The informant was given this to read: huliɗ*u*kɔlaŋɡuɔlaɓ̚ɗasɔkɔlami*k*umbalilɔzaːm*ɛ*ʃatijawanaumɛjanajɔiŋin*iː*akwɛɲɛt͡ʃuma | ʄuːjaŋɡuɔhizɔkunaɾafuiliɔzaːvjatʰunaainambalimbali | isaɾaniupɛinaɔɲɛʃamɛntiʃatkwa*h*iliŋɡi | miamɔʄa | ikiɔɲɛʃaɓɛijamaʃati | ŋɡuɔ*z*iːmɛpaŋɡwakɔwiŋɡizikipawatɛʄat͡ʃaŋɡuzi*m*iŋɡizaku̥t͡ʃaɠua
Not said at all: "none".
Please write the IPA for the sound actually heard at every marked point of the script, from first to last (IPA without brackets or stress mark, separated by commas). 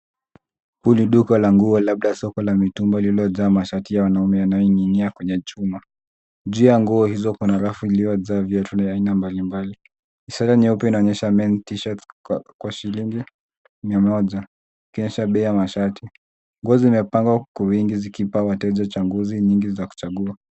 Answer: u, t, a, i, ʃ, z, ɲ